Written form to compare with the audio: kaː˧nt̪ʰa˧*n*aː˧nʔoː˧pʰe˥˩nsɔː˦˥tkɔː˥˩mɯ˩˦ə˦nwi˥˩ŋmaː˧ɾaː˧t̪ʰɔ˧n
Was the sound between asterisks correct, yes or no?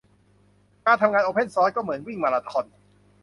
no